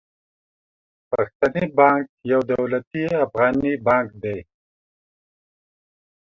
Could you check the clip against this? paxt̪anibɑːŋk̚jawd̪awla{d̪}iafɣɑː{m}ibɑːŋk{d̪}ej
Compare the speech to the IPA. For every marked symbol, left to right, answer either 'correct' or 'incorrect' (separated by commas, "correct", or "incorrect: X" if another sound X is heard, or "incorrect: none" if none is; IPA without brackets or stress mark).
incorrect: t̪, incorrect: n, correct